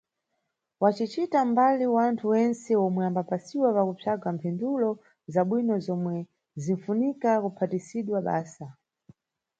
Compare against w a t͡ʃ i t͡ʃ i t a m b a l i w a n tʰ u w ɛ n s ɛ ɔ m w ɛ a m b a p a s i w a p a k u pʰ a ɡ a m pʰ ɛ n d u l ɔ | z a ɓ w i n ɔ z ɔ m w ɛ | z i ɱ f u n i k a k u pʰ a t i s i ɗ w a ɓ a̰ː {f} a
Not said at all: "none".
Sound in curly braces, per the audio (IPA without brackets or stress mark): s